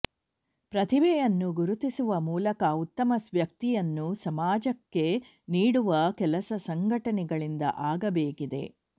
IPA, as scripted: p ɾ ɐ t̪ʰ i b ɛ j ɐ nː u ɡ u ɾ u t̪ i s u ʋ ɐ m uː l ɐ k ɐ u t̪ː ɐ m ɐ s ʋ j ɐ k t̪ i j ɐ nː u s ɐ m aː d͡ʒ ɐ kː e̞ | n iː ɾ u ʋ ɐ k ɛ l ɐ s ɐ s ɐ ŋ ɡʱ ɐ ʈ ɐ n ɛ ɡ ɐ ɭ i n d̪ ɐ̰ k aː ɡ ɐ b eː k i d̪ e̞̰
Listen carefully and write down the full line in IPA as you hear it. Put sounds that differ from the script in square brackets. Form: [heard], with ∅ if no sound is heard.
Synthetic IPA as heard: p ɾ ɐ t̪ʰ i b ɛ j ɐ nː u ɡ u ɾ u t̪ i s u ʋ ɐ m uː l ɐ k ɐ u t̪ː ɐ m ɐ s ʋ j ɐ k t̪ i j ɐ nː u s ɐ m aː d͡ʒ ɐ kː e̞ | n iː [ɽ] u ʋ ɐ k ɛ l ɐ s ɐ s ɐ ŋ ɡʱ ɐ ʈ ɐ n ɛ ɡ ɐ ɭ i n d̪ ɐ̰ [ʔ] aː ɡ ɐ b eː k i d̪ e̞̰